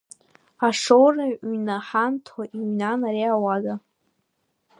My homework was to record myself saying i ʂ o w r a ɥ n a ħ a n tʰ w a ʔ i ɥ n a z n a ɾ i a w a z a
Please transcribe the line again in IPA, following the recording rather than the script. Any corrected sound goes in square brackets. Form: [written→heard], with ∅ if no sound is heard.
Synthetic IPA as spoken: [i→a] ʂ o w r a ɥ n a ħ a n tʰ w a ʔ i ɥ n a [z→∅] n a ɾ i a w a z a